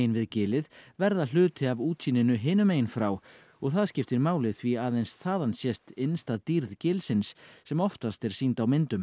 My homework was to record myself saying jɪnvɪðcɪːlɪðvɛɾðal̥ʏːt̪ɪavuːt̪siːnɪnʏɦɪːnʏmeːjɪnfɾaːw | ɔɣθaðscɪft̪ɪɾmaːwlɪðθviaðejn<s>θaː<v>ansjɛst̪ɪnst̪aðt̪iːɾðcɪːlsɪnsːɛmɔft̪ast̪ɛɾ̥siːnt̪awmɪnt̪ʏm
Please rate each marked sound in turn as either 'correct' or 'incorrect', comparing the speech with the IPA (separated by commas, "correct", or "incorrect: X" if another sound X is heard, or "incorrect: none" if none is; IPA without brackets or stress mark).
correct, incorrect: ð